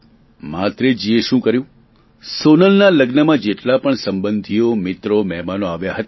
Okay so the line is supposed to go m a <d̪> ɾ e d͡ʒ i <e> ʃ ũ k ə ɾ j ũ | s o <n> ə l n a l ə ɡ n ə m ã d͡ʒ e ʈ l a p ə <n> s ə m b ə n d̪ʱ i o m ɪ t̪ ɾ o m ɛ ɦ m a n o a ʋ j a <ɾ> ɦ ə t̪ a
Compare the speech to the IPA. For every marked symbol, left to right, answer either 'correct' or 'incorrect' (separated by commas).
incorrect, correct, correct, incorrect, incorrect